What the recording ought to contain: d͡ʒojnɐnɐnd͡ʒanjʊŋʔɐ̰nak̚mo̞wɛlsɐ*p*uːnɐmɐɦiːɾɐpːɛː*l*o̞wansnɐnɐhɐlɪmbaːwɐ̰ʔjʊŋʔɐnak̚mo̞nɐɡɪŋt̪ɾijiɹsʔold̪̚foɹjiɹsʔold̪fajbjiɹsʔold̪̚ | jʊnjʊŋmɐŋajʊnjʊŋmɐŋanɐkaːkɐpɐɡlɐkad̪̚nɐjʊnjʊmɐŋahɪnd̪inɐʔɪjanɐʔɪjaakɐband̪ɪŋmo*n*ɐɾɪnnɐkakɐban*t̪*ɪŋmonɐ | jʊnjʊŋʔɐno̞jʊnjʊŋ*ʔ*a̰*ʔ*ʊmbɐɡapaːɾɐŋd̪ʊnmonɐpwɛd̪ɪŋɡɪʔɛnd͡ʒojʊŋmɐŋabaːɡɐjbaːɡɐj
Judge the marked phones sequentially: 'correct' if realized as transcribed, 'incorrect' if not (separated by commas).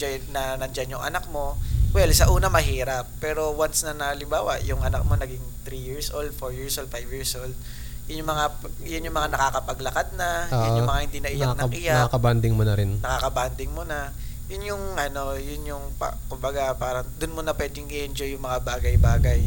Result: incorrect, incorrect, correct, incorrect, incorrect, incorrect